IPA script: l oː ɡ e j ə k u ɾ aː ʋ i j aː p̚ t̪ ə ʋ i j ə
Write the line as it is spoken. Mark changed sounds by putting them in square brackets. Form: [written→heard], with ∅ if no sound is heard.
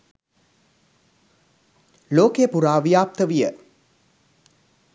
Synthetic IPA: l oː [ɡ→k] e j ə [k→p] u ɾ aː ʋ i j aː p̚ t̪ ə ʋ i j ə